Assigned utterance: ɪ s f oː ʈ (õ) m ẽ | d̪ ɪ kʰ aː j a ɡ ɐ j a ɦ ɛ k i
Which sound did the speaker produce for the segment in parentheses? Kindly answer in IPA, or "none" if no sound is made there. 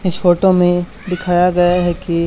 o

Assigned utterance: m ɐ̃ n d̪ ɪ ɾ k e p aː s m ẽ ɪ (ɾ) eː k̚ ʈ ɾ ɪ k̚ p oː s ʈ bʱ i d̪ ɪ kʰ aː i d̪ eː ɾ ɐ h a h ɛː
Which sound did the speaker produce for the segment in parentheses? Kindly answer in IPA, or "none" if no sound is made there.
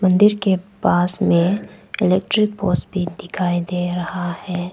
l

